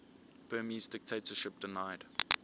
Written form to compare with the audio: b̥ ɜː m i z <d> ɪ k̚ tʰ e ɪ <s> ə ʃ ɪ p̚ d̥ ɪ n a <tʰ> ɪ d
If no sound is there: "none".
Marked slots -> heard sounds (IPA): d, t, none

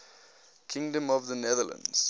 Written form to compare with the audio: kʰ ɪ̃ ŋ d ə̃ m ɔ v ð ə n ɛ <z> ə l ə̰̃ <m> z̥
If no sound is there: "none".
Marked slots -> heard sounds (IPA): ð, n

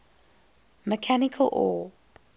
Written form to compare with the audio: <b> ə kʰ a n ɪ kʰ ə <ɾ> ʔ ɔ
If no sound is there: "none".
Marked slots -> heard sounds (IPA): m, l

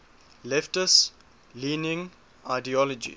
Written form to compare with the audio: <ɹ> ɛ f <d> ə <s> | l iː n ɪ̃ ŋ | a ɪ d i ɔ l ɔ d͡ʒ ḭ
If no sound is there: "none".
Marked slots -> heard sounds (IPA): l, t, s

